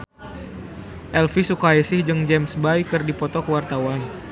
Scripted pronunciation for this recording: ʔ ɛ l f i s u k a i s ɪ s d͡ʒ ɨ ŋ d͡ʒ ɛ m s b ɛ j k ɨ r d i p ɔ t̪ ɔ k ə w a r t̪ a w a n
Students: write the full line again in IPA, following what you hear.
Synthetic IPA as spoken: ʔ ɛ l f i s u k a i s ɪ h d͡ʒ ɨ ŋ d͡ʒ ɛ m s b a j k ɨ r d i p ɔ t̪ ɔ k ə w a r t̪ a w a n

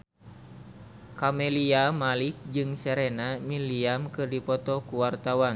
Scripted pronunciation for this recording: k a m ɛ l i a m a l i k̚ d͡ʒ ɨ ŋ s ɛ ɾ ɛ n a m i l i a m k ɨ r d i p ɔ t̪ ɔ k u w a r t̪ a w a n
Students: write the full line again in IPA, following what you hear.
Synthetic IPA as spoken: k a m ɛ l i a m a l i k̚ d͡ʒ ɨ ŋ s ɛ ɾ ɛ n a m i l i a m k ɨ r d i p ɔ t̪ ɔ k u w a r t̪ a w a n

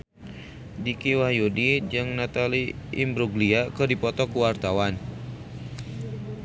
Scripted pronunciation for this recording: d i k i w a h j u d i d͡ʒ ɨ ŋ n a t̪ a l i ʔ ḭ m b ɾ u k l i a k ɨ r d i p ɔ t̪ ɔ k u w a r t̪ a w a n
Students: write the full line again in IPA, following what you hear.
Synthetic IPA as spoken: d i k i w a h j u d i d͡ʒ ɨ ŋ n a t̪ a l i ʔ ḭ m b ɾ u ɡ l i a k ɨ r d i p ɔ t̪ ɔ k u w a r t̪ a w a n

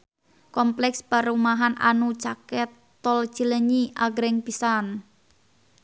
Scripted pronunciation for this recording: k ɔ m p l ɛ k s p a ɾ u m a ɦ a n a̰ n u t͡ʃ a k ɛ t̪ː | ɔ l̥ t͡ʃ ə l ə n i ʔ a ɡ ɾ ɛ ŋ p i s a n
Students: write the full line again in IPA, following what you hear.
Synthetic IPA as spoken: k ɔ m p l ɛ k s p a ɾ u m a ɦ a n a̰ n u t͡ʃ a k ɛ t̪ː | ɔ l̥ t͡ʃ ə l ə ɲ i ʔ a ɡ ɾ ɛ ŋ p i s a n

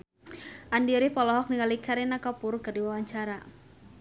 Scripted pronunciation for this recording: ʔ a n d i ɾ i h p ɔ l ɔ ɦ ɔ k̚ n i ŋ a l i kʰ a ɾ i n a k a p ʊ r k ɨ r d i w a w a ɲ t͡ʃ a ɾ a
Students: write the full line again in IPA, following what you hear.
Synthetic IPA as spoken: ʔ a n d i ɾ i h p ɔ l ɔ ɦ ɔ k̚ n i ŋ a l i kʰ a ɾ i n a k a p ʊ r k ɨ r d i w a w a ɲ t͡ʃ a ɾ a

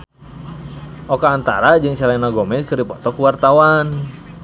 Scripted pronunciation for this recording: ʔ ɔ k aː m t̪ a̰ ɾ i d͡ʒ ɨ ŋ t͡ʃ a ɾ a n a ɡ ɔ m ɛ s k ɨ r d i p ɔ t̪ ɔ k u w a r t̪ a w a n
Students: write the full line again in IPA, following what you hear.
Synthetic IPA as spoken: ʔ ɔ k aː n t̪ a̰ ɾ a d͡ʒ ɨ ŋ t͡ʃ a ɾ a n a ɡ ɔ m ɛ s k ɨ r d i p ɔ t̪ ɔ k u w a r t̪ a w a n

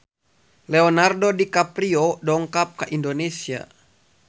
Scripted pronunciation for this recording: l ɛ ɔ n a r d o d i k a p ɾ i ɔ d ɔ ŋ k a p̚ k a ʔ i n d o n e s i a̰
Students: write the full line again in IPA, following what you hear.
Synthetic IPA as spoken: l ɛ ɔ n a r d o d i k a p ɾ i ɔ d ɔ ŋ k a p̚ k a ʔ i n d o n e s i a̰

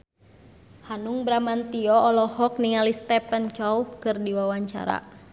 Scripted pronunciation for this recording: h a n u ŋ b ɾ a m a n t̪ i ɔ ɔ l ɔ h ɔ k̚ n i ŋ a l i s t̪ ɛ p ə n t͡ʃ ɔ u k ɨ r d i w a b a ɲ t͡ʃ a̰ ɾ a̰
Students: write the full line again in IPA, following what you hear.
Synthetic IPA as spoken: h a n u ŋ b ɾ a m a n t̪ i ɔ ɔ l ɔ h ɔ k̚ n i ŋ a l i s t̪ ɛ p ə n t͡ʃ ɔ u k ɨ r d i w a w a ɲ t͡ʃ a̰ ɾ a̰

